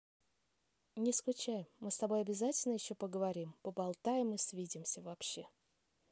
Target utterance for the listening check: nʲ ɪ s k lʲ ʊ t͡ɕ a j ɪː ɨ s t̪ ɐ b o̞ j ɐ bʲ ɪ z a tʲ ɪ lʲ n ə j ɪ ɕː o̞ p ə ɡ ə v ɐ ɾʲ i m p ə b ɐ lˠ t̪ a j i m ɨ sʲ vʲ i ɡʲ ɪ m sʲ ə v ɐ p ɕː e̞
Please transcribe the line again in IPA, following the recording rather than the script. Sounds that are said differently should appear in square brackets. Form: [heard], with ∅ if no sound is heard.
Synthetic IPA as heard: nʲ ɪ s k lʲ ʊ t͡ɕ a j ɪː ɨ s t̪ ɐ b o̞ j ɐ bʲ ɪ z a tʲ ɪ lʲ n ə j ɪ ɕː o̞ p ə ɡ ə v ɐ ɾʲ i m p ə b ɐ lˠ t̪ a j [ɪ] m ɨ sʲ vʲ i [dʲ] ɪ m sʲ ə v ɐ p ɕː e̞